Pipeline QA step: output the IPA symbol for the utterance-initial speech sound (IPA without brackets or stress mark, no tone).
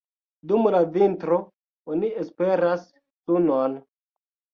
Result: d